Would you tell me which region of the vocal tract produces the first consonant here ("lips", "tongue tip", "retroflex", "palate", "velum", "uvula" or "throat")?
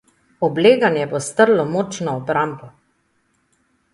lips